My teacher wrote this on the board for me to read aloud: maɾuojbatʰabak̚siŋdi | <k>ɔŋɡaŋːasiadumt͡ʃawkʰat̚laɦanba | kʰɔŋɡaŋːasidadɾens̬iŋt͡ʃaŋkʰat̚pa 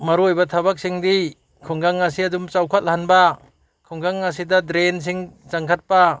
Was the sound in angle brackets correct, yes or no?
no